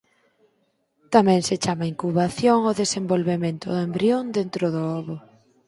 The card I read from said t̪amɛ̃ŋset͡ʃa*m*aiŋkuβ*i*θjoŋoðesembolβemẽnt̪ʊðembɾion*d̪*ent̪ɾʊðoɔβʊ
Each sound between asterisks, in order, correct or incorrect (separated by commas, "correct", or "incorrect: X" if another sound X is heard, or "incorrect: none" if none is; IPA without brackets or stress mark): correct, incorrect: a, correct